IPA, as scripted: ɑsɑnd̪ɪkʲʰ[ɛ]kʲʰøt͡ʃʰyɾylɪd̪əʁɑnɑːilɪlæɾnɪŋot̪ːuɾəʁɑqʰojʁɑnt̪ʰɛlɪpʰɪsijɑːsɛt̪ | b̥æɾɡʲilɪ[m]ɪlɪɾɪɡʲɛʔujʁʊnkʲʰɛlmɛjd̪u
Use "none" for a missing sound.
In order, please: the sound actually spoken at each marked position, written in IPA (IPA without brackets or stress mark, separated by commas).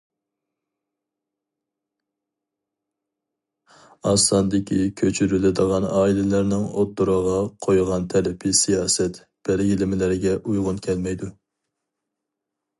i, m